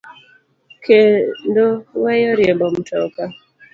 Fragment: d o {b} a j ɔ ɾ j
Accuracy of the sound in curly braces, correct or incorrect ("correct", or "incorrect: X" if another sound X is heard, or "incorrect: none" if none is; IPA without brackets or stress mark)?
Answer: incorrect: w